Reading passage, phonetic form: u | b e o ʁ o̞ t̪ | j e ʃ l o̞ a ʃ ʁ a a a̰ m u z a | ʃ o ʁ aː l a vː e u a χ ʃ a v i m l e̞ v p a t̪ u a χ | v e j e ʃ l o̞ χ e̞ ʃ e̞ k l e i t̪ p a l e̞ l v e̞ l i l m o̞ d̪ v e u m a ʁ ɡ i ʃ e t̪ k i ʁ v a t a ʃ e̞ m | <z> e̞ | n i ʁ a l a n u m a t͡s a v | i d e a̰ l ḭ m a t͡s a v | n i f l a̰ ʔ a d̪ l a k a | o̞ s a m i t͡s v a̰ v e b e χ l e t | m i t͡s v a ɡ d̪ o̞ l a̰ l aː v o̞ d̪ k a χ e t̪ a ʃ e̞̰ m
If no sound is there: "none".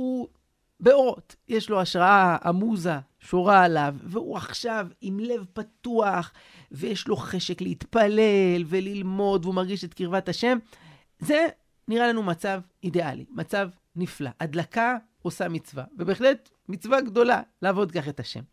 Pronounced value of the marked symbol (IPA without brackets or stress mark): z